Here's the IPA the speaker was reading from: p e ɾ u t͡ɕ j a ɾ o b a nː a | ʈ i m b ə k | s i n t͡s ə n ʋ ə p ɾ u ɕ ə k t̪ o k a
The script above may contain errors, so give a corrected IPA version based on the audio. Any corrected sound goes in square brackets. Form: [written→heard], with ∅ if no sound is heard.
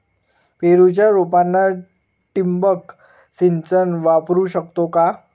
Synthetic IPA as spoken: p e ɾ u t͡ɕ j a ɾ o [b→p] a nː a | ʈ i m b ə k | s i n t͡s ə n ʋ [ə→a] p ɾ u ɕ ə k t̪ o k a

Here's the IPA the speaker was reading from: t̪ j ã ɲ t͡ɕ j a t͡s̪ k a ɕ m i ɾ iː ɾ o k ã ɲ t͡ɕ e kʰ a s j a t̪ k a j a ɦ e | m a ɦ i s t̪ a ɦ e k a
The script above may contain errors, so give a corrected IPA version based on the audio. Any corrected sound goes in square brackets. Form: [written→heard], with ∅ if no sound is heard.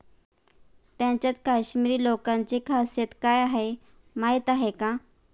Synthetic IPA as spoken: t̪ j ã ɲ t͡ɕ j a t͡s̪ k a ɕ m i ɾ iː [ɾ→l] o k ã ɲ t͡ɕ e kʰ a s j [a→e] t̪ k a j a ɦ e | m a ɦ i [s→∅] t̪ a ɦ e k a

